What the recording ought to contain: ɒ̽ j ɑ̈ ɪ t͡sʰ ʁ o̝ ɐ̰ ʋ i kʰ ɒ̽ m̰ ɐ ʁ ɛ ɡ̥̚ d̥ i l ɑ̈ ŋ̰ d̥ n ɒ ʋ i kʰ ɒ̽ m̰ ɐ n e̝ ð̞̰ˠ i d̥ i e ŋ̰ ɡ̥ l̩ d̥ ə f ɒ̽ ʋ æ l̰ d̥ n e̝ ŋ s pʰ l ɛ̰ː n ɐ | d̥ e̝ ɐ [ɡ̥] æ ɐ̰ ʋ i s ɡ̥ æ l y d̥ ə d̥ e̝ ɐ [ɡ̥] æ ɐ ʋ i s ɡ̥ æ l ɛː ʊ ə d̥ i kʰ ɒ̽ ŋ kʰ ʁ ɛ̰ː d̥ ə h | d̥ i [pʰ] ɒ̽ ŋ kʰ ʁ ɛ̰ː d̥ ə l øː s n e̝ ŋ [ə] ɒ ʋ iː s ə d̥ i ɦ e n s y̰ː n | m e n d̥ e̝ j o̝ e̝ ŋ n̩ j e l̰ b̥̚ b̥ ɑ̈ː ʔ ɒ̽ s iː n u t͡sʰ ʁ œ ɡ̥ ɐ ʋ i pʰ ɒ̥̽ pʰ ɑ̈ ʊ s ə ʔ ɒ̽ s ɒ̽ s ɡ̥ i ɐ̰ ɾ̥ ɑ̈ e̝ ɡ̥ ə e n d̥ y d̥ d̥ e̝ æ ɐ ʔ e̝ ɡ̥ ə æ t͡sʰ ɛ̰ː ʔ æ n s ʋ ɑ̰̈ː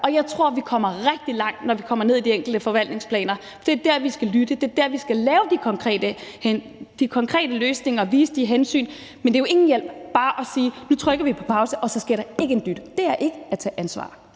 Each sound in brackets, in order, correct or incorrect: incorrect, incorrect, incorrect, incorrect

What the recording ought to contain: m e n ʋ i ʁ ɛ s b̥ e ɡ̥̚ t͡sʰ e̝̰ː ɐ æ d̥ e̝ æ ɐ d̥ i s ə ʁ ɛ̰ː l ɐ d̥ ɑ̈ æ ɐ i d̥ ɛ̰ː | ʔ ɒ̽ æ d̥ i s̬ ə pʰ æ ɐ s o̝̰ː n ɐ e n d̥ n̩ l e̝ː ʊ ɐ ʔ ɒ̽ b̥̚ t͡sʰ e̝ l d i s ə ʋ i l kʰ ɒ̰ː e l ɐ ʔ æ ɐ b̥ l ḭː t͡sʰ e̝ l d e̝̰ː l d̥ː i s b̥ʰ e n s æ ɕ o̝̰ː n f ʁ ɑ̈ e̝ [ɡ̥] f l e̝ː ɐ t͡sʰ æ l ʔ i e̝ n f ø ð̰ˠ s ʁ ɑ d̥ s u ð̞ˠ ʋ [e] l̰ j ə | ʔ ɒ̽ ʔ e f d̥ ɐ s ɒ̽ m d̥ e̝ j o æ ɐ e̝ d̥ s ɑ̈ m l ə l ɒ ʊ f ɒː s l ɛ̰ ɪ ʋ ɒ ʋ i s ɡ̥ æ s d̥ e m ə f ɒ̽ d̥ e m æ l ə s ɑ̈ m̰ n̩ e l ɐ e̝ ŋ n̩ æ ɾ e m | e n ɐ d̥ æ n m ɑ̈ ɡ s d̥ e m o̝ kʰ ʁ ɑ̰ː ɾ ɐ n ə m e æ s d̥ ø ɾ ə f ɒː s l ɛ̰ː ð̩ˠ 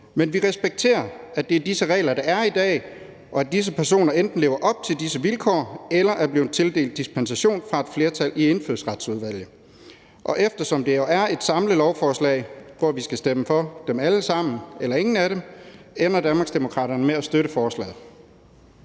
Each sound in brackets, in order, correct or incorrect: incorrect, incorrect

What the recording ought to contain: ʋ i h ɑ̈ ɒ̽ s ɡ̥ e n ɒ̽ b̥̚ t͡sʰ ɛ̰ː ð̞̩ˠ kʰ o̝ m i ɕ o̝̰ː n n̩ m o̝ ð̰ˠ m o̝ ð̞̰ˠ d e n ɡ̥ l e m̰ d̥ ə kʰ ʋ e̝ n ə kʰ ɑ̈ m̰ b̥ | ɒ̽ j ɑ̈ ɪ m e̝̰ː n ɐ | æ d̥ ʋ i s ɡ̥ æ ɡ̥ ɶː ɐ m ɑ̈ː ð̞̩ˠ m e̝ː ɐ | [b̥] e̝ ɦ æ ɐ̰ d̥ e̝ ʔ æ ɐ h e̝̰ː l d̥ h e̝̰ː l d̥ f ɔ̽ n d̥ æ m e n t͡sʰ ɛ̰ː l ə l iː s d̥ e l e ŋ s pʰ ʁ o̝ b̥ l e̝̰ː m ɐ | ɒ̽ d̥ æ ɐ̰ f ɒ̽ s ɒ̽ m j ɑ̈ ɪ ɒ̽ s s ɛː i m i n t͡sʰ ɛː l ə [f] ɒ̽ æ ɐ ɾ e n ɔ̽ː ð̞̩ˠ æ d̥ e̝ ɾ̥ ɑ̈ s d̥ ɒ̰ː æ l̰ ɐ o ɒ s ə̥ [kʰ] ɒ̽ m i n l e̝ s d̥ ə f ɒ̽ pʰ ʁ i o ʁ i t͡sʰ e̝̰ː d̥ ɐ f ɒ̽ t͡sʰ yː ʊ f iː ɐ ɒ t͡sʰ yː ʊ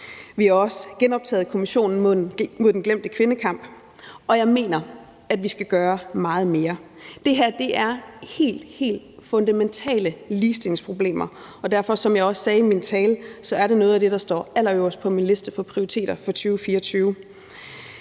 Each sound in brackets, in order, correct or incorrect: incorrect, incorrect, incorrect

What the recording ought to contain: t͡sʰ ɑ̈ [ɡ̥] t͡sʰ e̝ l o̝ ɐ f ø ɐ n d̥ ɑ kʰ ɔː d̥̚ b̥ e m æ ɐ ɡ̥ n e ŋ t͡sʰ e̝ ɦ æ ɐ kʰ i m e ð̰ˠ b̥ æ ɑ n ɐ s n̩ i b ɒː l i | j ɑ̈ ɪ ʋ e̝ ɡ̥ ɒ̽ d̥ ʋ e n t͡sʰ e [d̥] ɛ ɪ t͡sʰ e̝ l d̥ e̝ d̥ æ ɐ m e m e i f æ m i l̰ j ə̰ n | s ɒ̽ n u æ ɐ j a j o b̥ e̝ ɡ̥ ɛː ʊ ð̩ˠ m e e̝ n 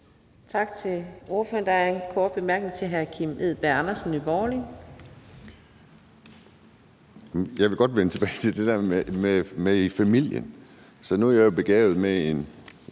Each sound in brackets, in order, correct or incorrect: correct, incorrect

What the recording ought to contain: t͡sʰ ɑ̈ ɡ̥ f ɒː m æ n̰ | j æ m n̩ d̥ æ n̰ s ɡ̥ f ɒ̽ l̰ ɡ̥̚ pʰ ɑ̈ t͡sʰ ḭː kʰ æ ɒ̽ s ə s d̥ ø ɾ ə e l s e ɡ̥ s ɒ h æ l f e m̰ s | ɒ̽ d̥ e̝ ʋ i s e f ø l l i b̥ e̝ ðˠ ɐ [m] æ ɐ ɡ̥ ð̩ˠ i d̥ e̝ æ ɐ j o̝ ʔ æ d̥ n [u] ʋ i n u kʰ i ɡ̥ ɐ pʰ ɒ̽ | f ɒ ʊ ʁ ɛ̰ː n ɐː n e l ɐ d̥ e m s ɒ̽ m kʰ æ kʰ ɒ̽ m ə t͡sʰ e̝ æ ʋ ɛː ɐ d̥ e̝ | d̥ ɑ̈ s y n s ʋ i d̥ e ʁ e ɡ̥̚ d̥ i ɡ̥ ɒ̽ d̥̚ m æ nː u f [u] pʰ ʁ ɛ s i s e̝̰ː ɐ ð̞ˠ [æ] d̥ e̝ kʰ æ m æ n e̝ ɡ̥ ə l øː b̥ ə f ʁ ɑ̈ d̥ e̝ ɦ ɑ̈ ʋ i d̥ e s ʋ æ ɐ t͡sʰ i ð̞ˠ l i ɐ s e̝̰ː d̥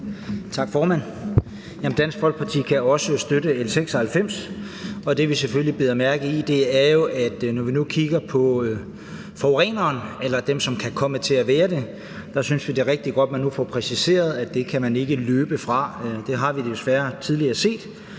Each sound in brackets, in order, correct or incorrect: correct, incorrect, incorrect, correct

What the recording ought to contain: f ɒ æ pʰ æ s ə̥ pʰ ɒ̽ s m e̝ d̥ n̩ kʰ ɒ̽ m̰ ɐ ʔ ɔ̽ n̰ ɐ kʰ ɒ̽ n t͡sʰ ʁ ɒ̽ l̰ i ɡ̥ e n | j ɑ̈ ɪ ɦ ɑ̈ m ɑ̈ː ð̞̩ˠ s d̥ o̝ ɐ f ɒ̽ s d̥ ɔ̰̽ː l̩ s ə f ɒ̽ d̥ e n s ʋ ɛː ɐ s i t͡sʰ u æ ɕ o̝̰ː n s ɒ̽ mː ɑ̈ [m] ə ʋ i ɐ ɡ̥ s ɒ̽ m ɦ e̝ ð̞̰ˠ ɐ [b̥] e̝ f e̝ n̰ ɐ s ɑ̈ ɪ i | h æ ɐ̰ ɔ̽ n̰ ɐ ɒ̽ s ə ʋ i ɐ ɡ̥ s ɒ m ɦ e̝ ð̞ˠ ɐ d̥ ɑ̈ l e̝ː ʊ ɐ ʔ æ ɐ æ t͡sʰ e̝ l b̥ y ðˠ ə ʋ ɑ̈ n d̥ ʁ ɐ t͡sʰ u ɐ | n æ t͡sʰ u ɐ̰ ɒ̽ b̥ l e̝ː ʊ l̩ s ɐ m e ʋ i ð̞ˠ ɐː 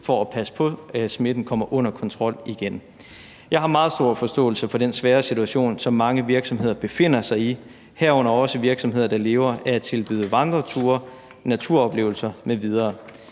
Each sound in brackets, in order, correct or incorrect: incorrect, correct

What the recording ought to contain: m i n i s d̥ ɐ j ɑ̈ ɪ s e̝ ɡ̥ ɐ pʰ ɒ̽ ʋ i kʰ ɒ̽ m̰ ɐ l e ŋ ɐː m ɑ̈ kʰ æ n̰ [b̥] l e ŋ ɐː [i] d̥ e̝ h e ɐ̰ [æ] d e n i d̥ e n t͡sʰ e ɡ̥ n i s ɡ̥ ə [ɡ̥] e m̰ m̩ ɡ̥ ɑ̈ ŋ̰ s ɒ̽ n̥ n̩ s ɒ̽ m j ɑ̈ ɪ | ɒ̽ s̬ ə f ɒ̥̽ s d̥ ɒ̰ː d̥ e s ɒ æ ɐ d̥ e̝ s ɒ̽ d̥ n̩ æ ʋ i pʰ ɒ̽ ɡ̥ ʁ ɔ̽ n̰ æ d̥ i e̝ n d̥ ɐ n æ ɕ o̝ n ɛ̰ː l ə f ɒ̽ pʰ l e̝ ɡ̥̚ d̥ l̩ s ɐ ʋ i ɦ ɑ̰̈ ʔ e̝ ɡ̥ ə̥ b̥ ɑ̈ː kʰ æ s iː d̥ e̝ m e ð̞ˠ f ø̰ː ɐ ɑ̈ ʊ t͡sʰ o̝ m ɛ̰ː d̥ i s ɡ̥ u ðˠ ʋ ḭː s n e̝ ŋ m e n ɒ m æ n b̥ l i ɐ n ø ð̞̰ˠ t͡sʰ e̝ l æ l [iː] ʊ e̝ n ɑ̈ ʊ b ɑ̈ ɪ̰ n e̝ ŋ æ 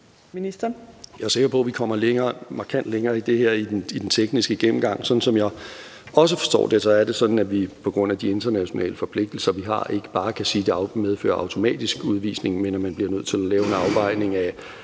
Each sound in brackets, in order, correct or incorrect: incorrect, correct, incorrect, correct, incorrect

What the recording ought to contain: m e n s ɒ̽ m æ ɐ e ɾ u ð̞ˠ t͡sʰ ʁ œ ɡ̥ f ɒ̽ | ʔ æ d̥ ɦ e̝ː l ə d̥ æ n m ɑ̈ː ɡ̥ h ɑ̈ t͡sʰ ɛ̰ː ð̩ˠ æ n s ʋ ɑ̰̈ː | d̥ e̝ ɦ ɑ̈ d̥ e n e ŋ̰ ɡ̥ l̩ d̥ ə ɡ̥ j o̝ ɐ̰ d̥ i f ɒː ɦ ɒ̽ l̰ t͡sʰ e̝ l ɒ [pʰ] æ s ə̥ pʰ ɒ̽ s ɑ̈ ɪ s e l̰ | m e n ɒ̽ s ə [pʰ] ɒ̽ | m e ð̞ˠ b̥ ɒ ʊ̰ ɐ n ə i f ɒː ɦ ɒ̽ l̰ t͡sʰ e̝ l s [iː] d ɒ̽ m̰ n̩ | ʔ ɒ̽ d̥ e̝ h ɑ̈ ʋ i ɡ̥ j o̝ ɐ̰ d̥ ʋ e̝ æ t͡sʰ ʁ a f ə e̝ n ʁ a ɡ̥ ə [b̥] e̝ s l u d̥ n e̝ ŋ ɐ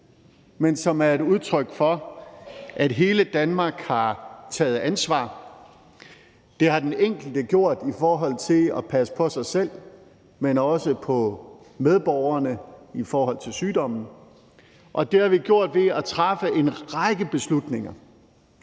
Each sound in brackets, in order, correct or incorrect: correct, correct, incorrect, correct

